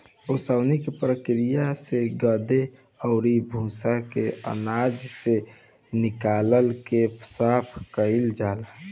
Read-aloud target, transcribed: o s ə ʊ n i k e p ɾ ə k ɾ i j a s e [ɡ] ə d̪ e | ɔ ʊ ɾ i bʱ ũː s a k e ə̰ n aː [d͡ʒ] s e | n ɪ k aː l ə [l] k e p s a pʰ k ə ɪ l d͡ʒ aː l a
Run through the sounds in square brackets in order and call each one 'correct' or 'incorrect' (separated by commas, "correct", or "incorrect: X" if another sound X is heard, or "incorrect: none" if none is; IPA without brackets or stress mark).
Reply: correct, correct, correct